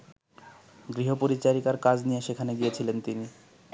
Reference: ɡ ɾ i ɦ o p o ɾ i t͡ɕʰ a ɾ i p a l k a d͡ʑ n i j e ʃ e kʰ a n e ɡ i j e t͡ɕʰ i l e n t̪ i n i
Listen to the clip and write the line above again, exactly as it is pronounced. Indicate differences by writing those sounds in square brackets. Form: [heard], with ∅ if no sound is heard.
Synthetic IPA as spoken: ɡ ɾ i ɦ o p o ɾ i [t͡ɕ] a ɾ i [k] a [ɾ] k a d͡ʑ n i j e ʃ e kʰ a n e ɡ i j e t͡ɕʰ i l e n t̪ i n i